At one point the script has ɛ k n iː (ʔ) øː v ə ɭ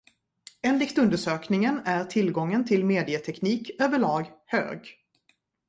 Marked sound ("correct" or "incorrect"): incorrect